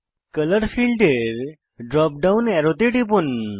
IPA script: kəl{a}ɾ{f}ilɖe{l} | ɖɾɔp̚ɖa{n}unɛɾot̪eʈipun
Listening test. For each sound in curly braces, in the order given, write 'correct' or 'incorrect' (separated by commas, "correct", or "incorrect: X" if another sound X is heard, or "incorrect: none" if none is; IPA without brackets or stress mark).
incorrect: ə, correct, incorrect: ɾ, incorrect: none